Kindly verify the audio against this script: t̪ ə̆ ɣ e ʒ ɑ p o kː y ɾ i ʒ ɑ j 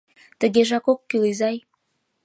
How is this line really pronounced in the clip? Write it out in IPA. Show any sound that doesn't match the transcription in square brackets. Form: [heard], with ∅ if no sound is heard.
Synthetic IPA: t̪ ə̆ ɣ e ʒ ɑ [k] o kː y [l] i [z] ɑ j